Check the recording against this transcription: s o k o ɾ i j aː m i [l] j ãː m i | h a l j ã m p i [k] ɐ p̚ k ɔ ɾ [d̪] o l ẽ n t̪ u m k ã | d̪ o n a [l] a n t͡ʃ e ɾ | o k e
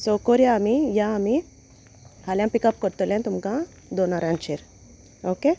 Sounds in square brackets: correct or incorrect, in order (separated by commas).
incorrect, correct, incorrect, incorrect